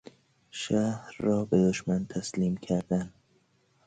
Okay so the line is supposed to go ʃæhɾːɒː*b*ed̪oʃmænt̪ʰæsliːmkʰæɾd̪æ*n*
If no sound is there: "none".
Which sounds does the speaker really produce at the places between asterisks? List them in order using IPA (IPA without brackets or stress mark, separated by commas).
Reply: b, n